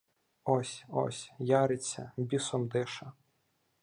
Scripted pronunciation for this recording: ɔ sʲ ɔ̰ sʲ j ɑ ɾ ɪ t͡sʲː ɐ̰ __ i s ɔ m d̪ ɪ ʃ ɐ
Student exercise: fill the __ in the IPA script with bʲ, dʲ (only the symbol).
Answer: bʲ